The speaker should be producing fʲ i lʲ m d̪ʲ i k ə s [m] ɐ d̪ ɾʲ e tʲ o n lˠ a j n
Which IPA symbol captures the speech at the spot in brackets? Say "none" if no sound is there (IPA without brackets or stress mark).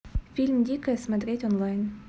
m